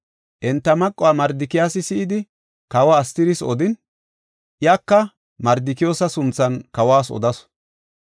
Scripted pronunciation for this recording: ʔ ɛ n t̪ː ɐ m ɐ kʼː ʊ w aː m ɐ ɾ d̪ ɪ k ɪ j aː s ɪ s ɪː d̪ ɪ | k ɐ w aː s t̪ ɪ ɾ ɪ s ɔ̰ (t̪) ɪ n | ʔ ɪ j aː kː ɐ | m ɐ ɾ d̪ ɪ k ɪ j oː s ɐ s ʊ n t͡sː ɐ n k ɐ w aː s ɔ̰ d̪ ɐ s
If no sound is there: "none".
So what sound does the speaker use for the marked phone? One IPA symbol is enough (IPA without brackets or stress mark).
d̪